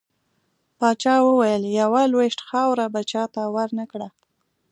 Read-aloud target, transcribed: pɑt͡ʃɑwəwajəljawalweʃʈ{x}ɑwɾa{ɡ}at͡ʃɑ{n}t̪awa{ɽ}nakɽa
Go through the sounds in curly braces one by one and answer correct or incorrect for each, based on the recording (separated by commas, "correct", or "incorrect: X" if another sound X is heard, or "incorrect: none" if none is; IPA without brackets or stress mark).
correct, incorrect: b, incorrect: none, incorrect: ɾ